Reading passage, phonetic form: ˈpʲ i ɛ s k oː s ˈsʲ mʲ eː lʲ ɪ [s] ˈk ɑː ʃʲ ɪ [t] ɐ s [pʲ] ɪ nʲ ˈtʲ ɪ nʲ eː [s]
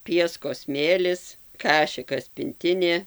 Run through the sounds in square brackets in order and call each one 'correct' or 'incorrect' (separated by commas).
correct, incorrect, correct, incorrect